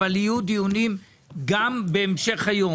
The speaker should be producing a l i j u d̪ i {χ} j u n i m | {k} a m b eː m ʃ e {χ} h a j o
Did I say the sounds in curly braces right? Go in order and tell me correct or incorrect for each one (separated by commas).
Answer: incorrect, incorrect, correct